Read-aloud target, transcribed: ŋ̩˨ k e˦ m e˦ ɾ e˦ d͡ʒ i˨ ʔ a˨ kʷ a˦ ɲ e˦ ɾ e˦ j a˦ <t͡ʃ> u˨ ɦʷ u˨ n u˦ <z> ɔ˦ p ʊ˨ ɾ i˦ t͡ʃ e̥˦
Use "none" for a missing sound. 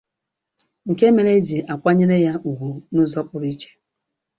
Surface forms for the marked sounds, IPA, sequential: none, z

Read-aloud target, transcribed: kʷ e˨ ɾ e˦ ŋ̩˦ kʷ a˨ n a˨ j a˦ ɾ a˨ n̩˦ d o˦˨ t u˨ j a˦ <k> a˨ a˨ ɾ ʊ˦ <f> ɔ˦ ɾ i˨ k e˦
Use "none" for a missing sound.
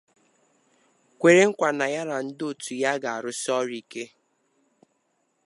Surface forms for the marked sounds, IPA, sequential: ɡ, s

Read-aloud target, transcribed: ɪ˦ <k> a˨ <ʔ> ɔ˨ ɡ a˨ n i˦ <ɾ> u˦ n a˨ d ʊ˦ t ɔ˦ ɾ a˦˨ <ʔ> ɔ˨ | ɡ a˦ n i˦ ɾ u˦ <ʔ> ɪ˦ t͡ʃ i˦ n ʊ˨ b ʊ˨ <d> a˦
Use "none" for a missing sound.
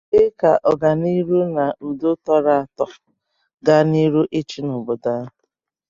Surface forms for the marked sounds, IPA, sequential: k, ʔ, ɾ, t, ʔ, d

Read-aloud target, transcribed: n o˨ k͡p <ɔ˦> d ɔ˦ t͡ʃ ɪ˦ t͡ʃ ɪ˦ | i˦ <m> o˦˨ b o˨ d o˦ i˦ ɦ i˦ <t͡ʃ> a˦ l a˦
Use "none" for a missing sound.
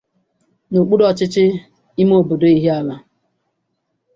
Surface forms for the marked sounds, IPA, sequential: u˦, m, none

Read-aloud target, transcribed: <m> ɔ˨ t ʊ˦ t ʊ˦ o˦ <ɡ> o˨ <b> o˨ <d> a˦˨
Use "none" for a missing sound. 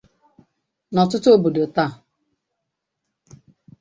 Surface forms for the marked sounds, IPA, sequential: n, b, d, t

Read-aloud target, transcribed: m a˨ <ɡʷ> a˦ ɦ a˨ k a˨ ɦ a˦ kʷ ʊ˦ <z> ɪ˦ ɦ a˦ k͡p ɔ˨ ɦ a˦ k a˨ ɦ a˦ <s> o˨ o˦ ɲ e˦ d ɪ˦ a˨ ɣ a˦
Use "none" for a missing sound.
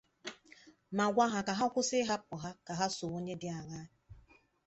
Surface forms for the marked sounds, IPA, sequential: ɡʷ, s, s

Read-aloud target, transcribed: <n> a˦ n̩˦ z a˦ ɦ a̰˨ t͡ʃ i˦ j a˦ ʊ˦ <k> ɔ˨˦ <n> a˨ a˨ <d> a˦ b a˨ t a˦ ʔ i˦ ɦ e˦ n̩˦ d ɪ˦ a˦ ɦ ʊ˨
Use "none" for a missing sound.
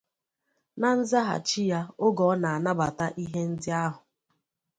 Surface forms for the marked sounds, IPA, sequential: n, ɡ, n, n

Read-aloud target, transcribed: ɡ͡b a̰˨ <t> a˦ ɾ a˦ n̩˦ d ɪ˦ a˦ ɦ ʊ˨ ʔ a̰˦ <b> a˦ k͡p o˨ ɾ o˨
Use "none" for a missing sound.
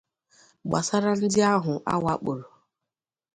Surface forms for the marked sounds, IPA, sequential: s, w

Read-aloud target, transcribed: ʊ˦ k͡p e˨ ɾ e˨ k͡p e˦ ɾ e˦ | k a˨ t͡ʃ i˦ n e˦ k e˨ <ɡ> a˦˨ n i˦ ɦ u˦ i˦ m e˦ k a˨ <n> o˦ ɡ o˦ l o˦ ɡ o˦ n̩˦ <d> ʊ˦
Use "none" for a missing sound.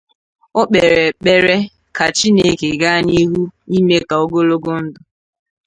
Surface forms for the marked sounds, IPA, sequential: ɡ, none, d

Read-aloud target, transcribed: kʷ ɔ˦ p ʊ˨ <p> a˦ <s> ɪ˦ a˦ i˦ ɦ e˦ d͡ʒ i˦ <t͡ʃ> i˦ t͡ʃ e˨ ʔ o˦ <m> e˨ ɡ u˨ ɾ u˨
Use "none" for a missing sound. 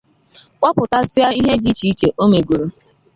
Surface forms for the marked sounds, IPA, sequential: t, s, t͡ʃ, m

